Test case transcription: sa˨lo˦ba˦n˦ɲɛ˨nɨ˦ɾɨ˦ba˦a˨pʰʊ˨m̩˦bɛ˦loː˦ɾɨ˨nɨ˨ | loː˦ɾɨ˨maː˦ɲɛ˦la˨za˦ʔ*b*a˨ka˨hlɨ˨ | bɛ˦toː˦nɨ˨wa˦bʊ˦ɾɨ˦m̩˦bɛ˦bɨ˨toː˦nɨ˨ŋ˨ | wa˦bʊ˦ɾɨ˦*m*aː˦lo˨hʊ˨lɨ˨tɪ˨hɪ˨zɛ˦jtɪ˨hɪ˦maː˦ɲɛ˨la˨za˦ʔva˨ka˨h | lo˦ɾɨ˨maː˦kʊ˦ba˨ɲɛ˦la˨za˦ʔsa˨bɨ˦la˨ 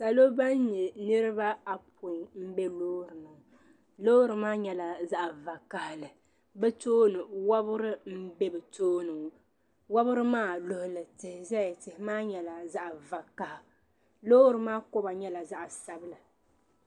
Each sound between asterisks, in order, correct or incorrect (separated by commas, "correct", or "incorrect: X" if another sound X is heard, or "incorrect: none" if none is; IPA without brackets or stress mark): incorrect: v, correct